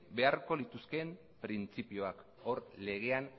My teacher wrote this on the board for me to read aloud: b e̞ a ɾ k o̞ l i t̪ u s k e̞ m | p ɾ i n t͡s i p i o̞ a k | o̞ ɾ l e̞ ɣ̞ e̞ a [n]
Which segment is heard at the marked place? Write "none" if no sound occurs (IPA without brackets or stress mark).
n